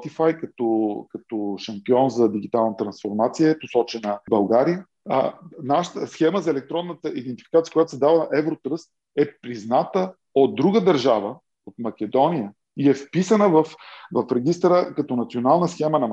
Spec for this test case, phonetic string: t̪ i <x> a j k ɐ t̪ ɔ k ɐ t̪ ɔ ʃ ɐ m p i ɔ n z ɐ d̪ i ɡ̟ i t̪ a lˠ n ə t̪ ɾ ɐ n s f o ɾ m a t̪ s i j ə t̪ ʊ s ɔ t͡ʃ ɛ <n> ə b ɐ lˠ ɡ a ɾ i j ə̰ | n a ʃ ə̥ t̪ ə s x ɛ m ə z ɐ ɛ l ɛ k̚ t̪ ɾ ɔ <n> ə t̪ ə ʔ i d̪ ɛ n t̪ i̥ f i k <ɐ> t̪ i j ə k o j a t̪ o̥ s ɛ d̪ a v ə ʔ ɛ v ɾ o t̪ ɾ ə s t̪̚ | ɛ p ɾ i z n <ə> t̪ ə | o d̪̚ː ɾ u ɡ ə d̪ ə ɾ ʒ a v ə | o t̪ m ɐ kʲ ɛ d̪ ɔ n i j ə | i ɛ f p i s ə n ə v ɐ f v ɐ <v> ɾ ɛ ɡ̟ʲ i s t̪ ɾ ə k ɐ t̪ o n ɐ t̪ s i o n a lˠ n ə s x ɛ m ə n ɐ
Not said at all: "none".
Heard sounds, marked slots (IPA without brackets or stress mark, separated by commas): f, n, nː, a, a, f